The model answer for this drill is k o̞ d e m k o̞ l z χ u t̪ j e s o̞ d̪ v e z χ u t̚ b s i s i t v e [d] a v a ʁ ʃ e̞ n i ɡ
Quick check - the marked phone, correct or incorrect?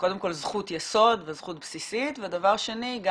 correct